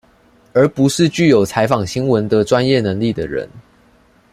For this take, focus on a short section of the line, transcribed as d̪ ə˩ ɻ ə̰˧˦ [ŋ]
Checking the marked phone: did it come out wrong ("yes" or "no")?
yes